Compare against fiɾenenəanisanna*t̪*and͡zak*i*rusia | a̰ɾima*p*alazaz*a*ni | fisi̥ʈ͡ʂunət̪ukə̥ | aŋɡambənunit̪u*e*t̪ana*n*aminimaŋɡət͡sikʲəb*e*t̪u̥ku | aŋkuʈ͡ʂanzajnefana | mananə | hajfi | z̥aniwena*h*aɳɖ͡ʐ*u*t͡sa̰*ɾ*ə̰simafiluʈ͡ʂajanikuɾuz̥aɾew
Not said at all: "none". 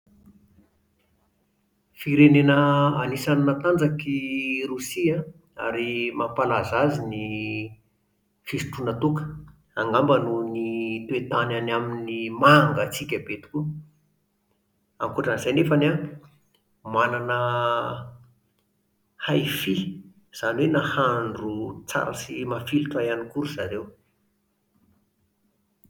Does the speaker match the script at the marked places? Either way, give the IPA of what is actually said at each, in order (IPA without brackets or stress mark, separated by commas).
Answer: t̪, i, p, i, e, n, e, h, u, ɾ